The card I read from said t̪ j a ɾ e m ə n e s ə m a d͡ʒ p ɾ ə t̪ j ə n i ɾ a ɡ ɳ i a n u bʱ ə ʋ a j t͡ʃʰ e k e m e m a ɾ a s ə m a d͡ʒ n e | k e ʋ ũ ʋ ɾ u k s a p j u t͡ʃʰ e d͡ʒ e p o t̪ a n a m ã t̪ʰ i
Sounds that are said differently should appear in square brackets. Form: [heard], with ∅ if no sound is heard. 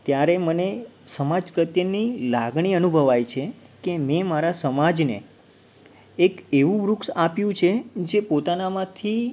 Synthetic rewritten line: t̪ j a ɾ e m ə n e s ə m a d͡ʒ p ɾ ə t̪ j ə n i [l] a ɡ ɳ i [ə] n u bʱ ə ʋ a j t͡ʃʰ e k e m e m a ɾ a s ə m a d͡ʒ n e | k e ʋ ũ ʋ ɾ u k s a p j [ũ] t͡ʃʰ e d͡ʒ e p o t̪ a n a m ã t̪ʰ i